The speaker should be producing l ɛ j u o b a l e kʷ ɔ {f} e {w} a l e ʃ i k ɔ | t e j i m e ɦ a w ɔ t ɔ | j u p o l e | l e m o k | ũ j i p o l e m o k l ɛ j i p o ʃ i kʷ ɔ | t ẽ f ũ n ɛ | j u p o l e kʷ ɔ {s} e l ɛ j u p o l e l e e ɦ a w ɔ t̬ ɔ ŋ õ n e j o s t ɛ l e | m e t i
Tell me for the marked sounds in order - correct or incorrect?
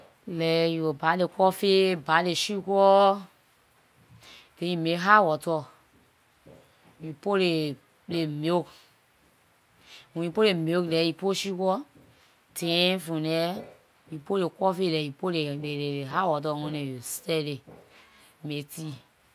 correct, incorrect, incorrect

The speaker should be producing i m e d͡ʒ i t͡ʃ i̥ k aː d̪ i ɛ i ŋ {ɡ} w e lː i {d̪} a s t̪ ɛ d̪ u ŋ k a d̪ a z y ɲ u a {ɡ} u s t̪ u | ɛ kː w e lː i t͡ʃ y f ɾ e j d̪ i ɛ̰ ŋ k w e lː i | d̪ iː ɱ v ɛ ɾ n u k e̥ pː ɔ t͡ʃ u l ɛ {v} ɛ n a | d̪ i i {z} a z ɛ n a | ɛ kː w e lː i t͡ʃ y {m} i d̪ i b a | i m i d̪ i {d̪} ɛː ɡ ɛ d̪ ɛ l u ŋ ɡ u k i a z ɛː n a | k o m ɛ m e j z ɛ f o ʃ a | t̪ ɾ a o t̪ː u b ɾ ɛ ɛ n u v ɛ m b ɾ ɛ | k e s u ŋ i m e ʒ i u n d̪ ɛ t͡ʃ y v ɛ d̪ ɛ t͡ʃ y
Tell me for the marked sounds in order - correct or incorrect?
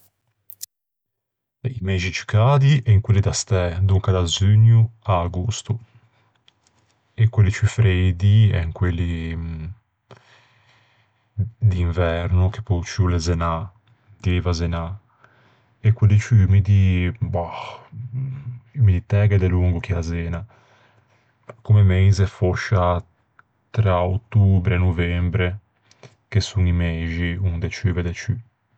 incorrect, correct, correct, incorrect, incorrect, correct, incorrect

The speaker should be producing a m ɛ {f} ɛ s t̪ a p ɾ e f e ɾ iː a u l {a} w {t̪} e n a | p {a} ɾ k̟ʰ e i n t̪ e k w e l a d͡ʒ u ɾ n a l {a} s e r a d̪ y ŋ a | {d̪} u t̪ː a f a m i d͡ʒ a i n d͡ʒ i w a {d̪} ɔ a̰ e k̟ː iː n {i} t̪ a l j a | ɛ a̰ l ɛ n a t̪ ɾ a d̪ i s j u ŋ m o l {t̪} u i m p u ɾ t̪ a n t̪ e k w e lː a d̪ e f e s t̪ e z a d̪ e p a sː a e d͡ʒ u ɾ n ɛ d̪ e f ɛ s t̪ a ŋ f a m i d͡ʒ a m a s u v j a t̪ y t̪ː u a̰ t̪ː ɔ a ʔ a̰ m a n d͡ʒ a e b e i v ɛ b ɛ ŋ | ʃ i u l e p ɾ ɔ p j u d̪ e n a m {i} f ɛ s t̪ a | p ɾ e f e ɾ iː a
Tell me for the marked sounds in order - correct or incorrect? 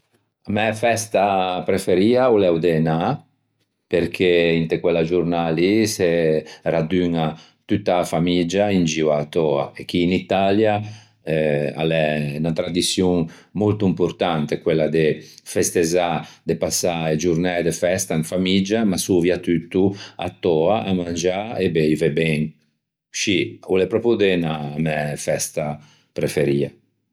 correct, incorrect, incorrect, incorrect, incorrect, incorrect, incorrect, correct, correct, incorrect

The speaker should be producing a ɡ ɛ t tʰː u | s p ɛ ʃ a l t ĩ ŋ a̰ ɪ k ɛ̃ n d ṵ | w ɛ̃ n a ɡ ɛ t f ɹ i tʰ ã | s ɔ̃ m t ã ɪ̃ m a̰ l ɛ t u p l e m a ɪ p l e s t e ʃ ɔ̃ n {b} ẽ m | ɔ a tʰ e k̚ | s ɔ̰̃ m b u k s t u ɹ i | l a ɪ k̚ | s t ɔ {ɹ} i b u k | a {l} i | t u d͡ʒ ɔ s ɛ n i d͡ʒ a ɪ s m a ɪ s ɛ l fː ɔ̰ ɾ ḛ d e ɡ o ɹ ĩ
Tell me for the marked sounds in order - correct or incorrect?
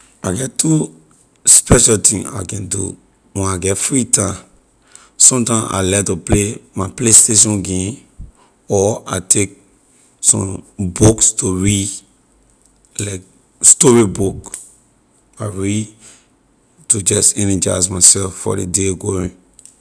incorrect, correct, incorrect

